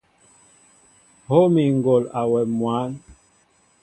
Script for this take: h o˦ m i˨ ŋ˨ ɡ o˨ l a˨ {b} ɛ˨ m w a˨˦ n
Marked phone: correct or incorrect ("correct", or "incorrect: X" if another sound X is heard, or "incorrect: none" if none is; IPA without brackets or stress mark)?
incorrect: w